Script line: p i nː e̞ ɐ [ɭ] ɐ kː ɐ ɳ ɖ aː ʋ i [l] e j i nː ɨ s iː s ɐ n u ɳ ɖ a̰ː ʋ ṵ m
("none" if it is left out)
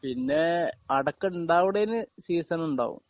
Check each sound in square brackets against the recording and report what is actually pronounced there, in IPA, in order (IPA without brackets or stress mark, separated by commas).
ɽ, ɽ